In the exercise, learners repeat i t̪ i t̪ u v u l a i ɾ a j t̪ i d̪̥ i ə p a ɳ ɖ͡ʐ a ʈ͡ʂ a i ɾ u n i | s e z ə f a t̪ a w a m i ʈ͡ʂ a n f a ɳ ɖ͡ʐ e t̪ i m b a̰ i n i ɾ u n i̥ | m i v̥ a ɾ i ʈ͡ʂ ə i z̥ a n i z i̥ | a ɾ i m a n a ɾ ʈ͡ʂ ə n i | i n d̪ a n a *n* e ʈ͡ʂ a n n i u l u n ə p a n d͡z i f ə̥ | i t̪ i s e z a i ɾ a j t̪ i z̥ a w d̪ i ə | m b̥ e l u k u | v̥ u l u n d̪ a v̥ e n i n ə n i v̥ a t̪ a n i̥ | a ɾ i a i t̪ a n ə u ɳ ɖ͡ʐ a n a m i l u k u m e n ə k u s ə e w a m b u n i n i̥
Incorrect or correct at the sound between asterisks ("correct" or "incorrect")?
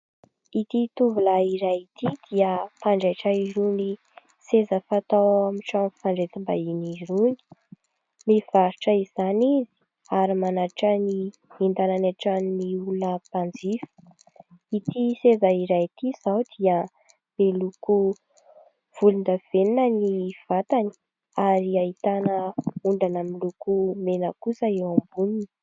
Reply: correct